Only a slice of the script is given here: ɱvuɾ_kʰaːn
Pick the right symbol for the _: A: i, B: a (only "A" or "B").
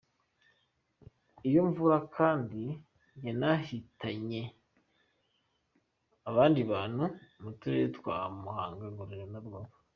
B